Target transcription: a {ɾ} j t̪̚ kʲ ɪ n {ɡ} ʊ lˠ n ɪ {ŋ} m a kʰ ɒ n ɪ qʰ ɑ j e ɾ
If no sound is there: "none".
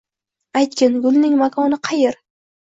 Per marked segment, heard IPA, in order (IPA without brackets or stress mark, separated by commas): none, ɡ, ŋ